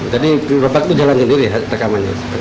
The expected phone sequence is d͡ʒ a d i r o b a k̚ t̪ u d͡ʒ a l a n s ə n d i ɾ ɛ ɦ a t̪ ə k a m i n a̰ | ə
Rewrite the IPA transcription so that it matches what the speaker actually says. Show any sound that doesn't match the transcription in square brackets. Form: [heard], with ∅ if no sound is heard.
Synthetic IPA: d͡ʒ a d i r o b a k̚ t̪ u d͡ʒ a l a n s ə n d i ɾ [i] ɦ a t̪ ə k a m [a] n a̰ | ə